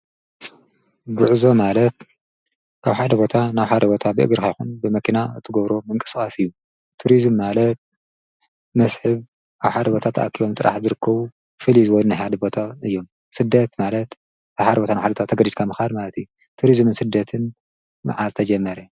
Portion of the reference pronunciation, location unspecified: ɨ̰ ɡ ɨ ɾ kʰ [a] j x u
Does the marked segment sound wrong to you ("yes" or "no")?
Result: no